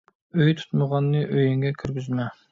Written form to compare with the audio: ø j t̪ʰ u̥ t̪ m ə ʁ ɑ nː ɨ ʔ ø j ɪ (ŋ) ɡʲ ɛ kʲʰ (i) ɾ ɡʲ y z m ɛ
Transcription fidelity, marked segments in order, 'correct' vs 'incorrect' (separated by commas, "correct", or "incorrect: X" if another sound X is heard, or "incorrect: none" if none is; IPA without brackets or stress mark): correct, incorrect: y